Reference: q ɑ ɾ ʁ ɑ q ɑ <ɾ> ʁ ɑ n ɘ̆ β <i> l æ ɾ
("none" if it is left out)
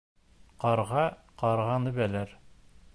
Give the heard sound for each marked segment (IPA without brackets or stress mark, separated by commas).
ɾ, æ